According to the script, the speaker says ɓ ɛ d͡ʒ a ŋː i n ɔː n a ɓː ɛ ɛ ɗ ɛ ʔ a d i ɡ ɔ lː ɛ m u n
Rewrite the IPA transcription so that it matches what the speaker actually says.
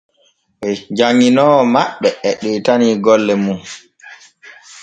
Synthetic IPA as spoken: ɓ ɛ d͡ʒ a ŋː i n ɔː m a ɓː ɛ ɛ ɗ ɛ t a n i ɡ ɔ lː ɛ m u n